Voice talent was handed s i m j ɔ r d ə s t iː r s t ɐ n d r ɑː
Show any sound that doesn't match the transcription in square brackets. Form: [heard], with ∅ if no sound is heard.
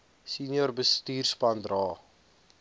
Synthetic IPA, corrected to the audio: s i [n] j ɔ r [b] ə s t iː r s [p] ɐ n d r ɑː